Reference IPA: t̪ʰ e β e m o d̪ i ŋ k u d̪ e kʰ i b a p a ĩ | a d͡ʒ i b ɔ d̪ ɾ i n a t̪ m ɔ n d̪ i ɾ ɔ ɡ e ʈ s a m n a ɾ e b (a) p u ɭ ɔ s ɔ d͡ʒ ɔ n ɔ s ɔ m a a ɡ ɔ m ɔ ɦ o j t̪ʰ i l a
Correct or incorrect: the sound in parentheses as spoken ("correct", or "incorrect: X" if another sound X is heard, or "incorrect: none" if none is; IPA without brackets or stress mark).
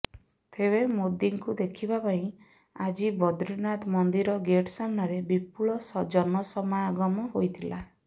incorrect: i